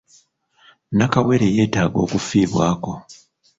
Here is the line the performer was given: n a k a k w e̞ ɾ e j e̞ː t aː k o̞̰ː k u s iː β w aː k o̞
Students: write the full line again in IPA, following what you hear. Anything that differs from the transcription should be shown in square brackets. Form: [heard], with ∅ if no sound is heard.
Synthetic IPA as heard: n a k a [∅] w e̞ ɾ e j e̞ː t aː [ɡ] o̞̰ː k u [f] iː β w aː k o̞